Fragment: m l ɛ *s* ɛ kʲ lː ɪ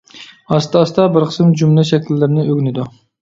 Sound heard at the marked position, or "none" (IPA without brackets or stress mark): ʃ